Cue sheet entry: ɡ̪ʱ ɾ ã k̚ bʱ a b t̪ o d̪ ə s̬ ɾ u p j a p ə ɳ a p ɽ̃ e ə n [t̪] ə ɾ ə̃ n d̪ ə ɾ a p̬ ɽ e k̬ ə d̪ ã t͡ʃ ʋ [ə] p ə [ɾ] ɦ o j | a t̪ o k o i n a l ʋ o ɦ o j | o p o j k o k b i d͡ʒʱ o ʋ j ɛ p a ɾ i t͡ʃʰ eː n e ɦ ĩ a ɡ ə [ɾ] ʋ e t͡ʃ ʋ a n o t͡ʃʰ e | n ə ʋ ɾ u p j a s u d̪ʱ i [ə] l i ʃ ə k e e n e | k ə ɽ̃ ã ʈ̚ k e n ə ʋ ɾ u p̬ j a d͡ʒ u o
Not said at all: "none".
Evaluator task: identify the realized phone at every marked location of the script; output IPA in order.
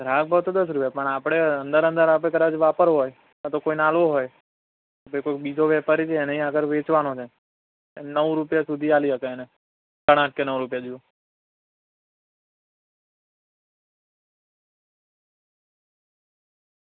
d̪, a, ɾ, ɾ, a

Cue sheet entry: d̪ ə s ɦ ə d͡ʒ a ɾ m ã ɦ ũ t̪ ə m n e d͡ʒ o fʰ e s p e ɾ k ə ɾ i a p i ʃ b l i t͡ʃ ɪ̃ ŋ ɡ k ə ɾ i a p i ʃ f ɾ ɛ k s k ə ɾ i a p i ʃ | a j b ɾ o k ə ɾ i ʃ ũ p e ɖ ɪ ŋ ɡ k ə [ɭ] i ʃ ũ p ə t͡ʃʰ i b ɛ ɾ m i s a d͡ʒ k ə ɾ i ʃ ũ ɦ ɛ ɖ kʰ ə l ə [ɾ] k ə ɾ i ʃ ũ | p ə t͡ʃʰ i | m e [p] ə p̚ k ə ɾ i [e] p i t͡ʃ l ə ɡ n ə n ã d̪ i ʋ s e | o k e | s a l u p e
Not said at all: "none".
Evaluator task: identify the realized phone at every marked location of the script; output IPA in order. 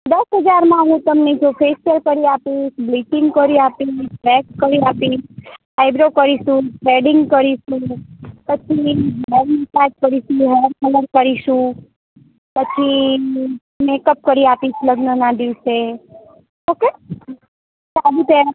ɾ, ɾ, k, a

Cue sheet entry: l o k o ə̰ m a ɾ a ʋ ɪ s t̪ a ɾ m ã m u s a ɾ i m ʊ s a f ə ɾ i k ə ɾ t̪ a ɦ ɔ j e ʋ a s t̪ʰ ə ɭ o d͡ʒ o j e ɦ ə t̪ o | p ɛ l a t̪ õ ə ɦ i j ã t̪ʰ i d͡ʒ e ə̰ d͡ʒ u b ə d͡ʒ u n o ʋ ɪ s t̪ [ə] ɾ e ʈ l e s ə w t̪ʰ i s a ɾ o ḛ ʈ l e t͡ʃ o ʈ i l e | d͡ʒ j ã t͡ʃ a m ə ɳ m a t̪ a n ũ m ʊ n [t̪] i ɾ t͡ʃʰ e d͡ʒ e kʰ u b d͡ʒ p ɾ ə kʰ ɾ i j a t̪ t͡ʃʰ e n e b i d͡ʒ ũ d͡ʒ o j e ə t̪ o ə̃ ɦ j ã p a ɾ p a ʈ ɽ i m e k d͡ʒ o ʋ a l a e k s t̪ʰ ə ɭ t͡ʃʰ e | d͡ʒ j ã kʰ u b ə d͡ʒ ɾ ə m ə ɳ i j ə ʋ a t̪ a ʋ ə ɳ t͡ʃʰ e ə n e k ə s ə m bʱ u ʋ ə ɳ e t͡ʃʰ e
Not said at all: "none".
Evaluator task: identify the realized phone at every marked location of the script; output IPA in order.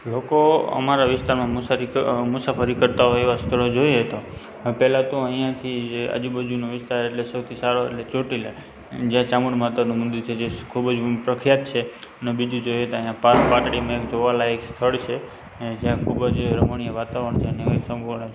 a, d̪

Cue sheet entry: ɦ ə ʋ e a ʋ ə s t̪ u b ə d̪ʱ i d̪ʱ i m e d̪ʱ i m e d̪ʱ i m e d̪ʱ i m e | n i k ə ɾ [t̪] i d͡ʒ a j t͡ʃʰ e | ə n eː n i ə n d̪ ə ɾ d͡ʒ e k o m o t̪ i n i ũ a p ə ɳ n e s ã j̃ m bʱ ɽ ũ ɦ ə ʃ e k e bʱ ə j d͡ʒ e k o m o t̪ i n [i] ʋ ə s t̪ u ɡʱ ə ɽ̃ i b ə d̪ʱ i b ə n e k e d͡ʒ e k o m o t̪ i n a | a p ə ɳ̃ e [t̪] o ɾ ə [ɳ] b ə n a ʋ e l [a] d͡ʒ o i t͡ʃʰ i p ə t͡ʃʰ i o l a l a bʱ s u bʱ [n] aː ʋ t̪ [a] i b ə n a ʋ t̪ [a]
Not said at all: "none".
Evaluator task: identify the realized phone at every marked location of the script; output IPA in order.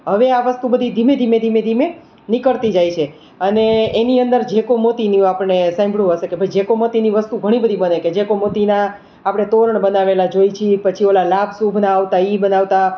t̪, i, t̪, ɳ, a, n, a, a

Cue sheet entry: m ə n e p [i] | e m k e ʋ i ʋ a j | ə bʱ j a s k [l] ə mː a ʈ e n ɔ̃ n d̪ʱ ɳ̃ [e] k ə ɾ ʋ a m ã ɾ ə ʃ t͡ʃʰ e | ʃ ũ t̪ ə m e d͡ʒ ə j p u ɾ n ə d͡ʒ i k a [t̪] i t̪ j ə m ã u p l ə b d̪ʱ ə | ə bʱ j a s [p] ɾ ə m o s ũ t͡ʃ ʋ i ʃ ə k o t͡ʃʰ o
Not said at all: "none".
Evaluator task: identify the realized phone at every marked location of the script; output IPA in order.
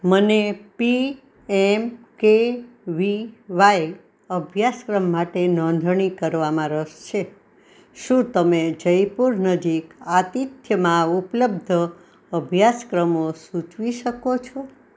i, ɾ, i, t̪, k

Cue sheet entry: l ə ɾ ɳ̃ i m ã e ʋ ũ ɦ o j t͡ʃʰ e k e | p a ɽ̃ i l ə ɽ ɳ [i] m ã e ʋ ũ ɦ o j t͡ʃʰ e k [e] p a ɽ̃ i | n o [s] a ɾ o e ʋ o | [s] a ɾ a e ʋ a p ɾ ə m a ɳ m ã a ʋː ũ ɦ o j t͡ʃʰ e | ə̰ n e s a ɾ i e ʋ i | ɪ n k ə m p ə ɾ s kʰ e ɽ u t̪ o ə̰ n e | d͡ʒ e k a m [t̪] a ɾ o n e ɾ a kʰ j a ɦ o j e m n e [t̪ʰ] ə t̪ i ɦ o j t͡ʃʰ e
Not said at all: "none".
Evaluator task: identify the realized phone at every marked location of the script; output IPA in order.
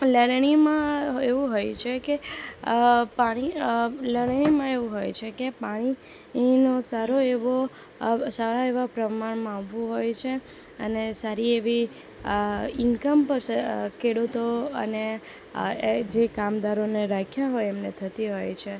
i, e, s, s, d̪, t̪ʰ

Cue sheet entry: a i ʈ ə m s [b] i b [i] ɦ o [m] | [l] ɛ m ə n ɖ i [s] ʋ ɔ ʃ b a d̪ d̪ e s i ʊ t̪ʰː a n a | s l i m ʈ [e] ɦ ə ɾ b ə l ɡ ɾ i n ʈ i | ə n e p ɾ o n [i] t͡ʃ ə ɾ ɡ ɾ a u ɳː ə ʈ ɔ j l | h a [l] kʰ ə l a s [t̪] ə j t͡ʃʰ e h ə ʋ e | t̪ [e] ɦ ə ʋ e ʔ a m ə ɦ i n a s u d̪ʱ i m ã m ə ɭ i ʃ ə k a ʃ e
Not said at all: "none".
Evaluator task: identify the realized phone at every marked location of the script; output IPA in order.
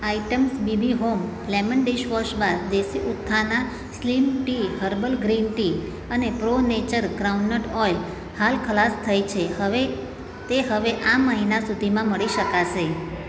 b, i, m, l, ʃ, i, e, l, t̪ʰ, e

